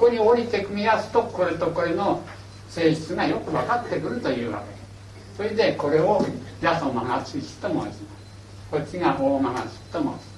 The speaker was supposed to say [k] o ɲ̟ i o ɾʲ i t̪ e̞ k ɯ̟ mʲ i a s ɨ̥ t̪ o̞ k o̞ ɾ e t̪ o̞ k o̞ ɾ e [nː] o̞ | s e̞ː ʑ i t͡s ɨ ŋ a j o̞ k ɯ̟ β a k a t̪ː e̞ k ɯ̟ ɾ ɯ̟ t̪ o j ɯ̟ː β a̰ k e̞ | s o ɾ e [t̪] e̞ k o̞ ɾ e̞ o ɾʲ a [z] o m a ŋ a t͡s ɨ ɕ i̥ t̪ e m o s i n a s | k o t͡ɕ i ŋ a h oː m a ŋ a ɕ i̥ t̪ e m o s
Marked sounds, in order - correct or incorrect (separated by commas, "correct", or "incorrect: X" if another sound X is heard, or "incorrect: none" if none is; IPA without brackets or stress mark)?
correct, incorrect: n, incorrect: d̪, incorrect: s